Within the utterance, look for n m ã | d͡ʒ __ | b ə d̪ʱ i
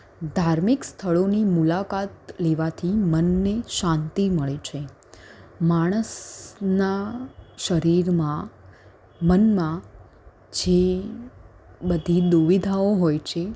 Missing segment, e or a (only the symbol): e